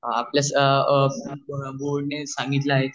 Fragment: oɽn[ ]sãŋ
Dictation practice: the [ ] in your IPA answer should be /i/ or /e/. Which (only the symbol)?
e